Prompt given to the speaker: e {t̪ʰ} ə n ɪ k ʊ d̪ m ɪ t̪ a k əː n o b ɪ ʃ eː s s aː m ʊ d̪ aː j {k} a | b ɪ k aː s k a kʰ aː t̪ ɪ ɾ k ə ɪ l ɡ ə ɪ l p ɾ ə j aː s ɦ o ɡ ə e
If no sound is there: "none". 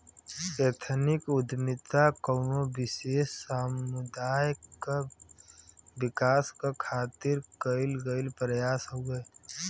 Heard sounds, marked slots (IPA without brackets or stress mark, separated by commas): t̪ʰ, k